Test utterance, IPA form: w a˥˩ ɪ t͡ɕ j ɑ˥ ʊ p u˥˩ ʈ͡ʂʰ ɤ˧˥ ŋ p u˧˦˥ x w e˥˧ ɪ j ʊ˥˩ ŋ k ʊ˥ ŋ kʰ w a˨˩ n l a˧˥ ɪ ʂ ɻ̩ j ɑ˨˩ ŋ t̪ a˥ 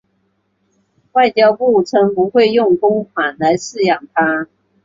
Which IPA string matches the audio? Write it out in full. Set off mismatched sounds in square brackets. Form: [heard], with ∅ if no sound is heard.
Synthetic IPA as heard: w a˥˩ ɪ t͡ɕ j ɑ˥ ʊ p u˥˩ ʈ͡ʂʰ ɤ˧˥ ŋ p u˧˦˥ x w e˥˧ ɪ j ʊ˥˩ ŋ k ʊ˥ ŋ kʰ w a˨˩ n l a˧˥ ɪ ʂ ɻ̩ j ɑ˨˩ ŋ [t̪ʰ] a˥